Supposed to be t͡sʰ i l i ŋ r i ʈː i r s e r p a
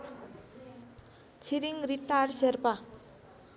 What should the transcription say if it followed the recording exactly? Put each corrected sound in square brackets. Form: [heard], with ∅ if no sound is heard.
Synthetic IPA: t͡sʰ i [ɾ] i ŋ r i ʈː [a] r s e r p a

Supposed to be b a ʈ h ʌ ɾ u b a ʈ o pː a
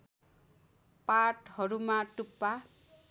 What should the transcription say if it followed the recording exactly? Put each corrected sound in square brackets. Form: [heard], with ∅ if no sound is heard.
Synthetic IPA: [p] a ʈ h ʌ ɾ u [m] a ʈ [u] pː a

